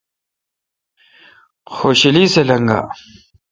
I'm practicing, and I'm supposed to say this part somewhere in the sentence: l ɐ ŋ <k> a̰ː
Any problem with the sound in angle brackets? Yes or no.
yes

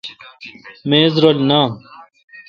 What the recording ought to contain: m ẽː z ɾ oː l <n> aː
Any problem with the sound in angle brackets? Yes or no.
no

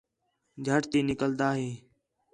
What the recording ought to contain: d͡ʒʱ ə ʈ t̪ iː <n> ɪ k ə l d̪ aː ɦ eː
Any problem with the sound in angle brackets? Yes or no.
no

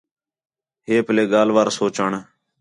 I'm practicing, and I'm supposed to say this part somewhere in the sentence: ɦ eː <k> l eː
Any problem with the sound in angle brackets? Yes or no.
yes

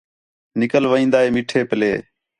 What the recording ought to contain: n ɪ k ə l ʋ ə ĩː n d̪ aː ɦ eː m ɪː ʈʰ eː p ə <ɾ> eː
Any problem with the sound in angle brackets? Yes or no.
yes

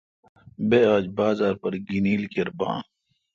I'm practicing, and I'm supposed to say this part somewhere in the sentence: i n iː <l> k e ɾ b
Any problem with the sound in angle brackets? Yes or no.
no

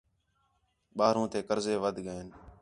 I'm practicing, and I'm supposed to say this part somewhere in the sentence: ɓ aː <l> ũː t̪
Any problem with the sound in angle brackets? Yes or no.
yes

